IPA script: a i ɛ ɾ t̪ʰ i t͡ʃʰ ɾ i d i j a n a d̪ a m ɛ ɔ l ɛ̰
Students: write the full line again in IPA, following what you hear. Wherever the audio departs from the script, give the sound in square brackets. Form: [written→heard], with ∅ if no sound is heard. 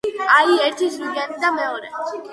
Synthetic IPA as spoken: a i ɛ ɾ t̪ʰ i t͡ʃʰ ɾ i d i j a n [a→i] d̪ a m ɛ ɔ [l→ɾ] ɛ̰

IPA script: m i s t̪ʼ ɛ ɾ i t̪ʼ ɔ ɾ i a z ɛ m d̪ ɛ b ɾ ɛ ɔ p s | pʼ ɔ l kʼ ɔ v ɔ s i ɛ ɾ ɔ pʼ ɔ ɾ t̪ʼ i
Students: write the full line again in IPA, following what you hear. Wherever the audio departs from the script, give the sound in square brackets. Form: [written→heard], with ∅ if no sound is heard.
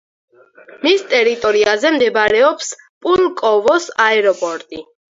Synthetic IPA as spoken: m i s t̪ʼ ɛ ɾ i t̪ʼ ɔ ɾ i a z ɛ m d̪ ɛ b ɾ ɛ ɔ p s | pʼ [ɔ→u] l kʼ ɔ v ɔ s [i→a] ɛ ɾ ɔ pʼ ɔ ɾ t̪ʼ i

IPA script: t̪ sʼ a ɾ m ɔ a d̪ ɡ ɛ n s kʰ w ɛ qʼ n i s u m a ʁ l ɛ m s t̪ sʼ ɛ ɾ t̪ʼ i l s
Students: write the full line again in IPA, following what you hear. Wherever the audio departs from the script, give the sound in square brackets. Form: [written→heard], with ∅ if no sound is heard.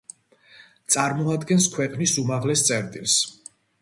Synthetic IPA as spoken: t̪ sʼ a ɾ m ɔ a d̪ ɡ ɛ n s kʰ w ɛ qʼ n i s u m a ʁ l ɛ [m→∅] s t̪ sʼ ɛ ɾ t̪ʼ i l s

